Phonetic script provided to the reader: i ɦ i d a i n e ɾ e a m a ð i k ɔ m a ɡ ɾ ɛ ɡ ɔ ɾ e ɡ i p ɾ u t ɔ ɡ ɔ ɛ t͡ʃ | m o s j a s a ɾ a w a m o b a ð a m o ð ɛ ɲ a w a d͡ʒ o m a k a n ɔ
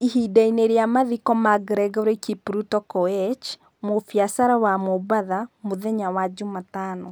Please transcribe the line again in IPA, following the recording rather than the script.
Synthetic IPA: i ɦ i d a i n e ɾ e a m a ð i k ɔ m a ɡ ɾ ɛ ɡ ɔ ɾ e k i p ɾ u t ɔ k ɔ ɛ t͡ʃ | m o f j a s a ɾ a w a m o b a ð a m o ð ɛ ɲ a w a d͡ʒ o m a t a n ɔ